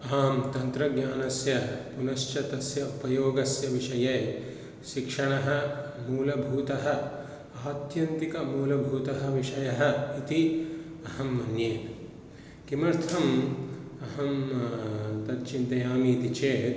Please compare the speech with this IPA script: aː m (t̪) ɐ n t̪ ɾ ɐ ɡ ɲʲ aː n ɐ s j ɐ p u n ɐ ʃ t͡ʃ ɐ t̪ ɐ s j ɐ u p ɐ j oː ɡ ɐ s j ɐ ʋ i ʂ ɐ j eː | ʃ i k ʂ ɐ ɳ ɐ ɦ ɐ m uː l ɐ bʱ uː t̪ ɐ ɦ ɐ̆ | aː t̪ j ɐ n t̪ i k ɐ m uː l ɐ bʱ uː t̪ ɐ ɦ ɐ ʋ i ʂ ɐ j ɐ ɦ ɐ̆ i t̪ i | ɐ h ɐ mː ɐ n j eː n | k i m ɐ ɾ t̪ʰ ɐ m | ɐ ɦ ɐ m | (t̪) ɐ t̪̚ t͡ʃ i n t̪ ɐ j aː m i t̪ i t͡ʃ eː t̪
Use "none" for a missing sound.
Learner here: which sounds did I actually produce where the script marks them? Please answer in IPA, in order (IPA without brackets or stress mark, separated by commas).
t̪, t̪